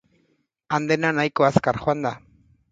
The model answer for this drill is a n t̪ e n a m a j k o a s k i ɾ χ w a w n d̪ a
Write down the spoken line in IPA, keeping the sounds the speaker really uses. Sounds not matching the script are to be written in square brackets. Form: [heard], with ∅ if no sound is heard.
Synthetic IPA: a n [d̪] e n a [n] a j k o a s k [a] ɾ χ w a [∅] n d̪ a